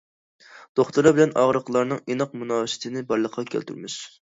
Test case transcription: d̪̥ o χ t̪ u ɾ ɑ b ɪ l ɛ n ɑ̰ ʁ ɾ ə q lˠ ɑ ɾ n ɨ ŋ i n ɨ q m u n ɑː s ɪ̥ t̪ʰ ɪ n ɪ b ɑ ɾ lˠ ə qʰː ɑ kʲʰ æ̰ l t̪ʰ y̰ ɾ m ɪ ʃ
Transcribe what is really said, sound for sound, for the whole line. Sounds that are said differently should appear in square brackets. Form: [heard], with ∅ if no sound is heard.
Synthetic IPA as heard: d̪̥ o χ t̪ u ɾ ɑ b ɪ l ɛ n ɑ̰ ʁ ɾ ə q lˠ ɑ ɾ n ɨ ŋ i n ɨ q m u n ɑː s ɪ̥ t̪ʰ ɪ n ɪ b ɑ ɾ lˠ ə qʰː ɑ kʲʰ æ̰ l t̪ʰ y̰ ɾ m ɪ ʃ